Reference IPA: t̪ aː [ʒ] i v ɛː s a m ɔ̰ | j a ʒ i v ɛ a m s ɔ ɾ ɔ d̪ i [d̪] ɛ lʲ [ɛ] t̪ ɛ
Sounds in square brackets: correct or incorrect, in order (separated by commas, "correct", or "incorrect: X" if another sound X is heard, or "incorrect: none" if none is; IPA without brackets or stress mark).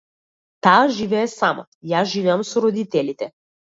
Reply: correct, incorrect: t̪, incorrect: i